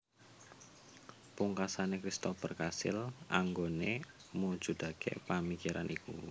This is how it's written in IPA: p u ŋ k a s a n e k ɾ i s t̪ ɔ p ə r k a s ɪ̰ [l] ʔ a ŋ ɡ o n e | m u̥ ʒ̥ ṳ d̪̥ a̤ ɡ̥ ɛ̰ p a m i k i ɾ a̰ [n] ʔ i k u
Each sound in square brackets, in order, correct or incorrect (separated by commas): correct, correct